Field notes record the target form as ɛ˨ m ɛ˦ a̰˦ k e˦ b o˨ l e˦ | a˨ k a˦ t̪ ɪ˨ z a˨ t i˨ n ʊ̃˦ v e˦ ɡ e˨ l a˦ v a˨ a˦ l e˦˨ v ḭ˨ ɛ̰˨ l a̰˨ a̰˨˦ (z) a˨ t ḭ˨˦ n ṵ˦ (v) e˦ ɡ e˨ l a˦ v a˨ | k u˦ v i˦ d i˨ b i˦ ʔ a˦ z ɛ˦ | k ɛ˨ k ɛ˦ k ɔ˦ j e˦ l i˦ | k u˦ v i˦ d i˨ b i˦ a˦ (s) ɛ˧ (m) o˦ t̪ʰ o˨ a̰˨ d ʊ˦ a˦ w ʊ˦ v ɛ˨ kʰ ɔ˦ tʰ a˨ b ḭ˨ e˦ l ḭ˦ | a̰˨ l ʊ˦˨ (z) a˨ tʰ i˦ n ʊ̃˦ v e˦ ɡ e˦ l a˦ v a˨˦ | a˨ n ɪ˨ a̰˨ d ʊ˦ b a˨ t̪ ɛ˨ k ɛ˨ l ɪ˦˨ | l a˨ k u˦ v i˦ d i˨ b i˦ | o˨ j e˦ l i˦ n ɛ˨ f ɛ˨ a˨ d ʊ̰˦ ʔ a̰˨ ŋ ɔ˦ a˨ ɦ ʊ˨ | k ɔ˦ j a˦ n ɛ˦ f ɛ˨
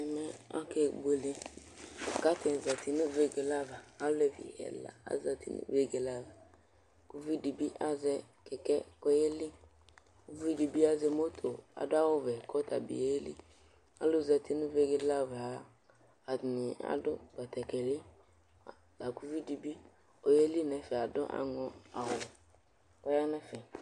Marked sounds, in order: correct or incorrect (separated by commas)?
correct, correct, incorrect, correct, correct